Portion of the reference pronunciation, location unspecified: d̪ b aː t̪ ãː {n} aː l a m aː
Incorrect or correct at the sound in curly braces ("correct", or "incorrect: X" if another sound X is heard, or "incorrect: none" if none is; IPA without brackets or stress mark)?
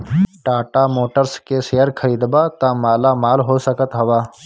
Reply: incorrect: m